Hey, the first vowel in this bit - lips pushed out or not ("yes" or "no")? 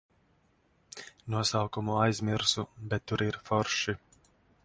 yes